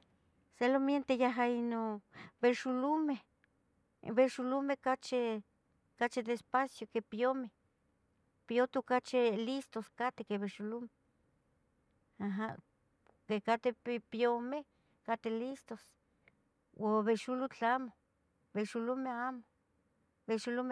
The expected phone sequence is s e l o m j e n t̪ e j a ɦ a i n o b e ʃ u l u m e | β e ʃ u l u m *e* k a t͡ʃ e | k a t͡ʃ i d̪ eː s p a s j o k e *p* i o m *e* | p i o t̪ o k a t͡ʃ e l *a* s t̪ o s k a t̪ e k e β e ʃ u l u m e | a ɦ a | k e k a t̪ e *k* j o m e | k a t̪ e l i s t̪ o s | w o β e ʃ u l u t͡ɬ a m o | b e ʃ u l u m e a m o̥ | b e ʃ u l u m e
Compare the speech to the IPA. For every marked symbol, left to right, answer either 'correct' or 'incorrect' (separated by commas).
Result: correct, correct, correct, incorrect, incorrect